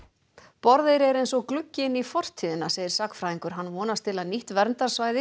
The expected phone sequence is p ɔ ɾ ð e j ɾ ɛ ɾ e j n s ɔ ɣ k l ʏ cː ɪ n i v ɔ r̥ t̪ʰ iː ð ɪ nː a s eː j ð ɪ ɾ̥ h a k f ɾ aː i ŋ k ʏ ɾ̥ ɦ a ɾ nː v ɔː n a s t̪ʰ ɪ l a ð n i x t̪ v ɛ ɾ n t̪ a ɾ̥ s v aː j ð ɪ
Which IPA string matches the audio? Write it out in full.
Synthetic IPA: p ɔ ɾ ð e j ɾ ɛ ɾ e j n s ɔ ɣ k l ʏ cː ɪ n i f ɔ r̥ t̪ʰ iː ð ɪ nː a s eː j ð ɪ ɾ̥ s a k f ɾ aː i ŋ k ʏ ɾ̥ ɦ a nː v ɔː n a s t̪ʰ ɪ l a ð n i h t̪ v ɛ ɾ n t̪ a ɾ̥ s v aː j ð ɪ